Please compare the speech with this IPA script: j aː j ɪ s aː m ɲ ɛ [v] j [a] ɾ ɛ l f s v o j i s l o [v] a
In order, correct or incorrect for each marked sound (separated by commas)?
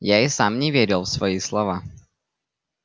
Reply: correct, incorrect, correct